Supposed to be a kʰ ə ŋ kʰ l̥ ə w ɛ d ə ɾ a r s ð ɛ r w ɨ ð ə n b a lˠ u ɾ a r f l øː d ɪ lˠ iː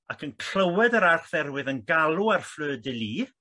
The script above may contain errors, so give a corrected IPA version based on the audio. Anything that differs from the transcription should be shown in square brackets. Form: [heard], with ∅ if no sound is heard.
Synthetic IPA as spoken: a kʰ ə [n] kʰ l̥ ə w ɛ d ə ɾ a r [χ] ð ɛ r w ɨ ð ə n [ɡ] a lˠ u [∅] a r f l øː d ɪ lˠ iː